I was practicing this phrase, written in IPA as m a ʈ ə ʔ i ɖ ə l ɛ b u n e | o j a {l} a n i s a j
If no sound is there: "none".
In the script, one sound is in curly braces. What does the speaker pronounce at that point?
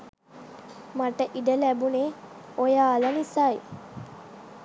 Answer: l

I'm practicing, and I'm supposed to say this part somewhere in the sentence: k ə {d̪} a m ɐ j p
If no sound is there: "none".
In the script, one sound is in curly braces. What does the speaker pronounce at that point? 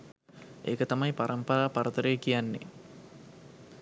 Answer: t̪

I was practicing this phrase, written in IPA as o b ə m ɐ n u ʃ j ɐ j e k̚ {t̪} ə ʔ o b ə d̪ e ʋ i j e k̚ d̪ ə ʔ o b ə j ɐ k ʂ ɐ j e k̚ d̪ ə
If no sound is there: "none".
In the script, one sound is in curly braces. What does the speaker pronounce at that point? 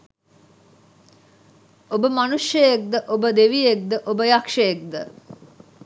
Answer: d̪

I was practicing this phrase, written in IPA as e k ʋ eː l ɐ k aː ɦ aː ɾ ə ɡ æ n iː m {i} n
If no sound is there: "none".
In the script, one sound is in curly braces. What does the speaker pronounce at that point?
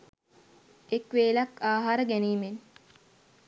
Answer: e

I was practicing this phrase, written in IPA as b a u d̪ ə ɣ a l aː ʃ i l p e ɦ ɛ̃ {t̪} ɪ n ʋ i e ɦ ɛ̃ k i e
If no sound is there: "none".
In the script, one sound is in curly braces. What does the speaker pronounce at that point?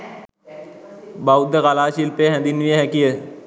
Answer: d̪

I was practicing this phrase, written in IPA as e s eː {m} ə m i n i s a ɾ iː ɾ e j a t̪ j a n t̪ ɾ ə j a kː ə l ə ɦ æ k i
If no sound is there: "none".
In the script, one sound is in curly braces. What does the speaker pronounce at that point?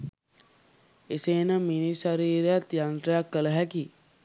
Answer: n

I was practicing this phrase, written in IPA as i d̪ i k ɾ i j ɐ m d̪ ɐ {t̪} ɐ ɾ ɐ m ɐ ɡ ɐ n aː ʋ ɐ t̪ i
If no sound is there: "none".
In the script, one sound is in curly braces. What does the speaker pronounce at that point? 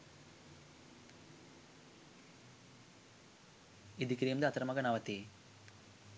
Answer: t̪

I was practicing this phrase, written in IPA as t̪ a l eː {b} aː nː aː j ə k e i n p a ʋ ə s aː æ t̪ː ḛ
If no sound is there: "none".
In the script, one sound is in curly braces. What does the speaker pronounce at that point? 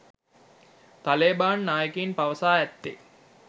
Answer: b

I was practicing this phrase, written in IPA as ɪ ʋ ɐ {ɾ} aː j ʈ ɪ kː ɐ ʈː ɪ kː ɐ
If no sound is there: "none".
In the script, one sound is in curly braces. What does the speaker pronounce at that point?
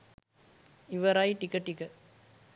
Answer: ɾ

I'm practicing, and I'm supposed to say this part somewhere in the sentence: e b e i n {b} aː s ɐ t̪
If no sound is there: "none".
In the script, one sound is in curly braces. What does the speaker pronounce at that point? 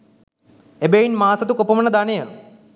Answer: m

